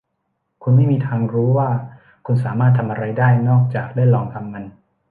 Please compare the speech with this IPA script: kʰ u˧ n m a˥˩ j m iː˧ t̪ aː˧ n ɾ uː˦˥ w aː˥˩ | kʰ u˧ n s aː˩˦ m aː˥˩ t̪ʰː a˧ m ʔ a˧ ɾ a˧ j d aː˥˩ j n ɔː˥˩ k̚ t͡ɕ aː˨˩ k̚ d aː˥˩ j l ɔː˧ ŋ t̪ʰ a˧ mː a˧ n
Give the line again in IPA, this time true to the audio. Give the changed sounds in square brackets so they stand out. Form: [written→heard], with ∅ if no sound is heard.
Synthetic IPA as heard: kʰ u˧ n m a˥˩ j m iː˧ [t̪→t̪ʰ] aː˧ [n→ŋ] ɾ uː˦˥ w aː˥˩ | kʰ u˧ n s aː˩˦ m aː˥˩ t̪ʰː a˧ m ʔ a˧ ɾ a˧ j d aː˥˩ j n ɔː˥˩ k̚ t͡ɕ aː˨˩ k̚ d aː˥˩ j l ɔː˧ ŋ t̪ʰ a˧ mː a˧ n

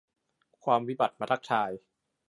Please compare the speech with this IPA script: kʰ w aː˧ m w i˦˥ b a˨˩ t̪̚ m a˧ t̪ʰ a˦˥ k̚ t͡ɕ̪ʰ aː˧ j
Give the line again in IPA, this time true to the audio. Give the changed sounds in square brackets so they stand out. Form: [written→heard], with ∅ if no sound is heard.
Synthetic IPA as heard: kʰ w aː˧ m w i˦˥ b a˨˩ t̪̚ m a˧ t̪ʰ a˦˥ k̚ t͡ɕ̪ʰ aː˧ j

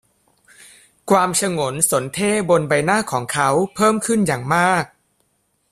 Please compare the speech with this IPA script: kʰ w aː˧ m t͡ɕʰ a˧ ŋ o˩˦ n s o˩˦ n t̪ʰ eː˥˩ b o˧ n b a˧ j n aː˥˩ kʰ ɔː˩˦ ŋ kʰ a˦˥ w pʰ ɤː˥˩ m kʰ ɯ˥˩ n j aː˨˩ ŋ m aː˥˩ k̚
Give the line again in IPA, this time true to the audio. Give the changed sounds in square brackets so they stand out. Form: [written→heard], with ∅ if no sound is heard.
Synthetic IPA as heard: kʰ w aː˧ m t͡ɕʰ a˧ ŋ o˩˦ n s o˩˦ n t̪ʰ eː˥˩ b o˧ n b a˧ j n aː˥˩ kʰ ɔː˩˦ ŋ kʰ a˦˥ w pʰ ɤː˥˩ m kʰ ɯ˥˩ n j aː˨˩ ŋ m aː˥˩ k̚

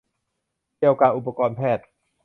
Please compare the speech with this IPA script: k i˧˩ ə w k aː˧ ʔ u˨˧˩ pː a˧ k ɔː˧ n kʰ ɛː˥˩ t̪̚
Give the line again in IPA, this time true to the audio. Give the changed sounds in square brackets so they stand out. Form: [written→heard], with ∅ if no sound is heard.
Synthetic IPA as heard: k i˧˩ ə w k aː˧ ʔ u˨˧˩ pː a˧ k ɔː˧ n [kʰ→pʰ] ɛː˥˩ t̪̚

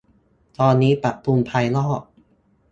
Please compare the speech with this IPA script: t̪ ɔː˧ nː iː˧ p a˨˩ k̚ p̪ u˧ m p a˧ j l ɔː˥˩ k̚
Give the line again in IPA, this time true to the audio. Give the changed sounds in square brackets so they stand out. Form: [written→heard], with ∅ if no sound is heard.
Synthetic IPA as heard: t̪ ɔː˧ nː [iː˧→iː˦˥] p a˨˩ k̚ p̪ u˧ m [p→pʰ] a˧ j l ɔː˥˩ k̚

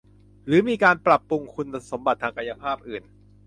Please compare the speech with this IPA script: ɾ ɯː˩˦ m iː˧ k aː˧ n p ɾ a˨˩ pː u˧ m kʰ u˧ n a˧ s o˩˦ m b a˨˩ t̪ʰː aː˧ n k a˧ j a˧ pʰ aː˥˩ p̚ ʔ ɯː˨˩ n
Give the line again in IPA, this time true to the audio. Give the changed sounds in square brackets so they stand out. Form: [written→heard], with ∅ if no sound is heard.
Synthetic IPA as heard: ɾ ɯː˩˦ m iː˧ k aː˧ n p ɾ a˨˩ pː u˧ [m→ŋ] kʰ u˧ n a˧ s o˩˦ m b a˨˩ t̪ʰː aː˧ [n→ŋ] k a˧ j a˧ pʰ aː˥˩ p̚ ʔ ɯː˨˩ n

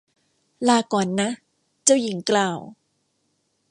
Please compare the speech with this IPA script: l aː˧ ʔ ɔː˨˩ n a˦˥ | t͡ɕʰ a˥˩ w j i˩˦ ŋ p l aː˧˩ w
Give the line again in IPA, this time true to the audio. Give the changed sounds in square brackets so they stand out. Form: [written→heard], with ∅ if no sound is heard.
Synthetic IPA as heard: l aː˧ [ʔ→k] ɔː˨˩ [n→nː] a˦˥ | [t͡ɕʰ→t͡ɕ] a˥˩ w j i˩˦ ŋ [p→k] l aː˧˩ w

